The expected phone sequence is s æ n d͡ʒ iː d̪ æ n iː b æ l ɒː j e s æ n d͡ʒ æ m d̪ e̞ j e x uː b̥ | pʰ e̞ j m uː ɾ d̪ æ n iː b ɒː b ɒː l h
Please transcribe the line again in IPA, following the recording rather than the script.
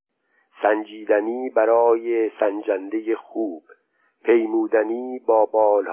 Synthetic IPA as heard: s æ n d͡ʒ iː d̪ æ n iː b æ ɾ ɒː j e s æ n d͡ʒ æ n d̪ e̞ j e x uː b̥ | pʰ e̞ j m uː d̪ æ n iː b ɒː b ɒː l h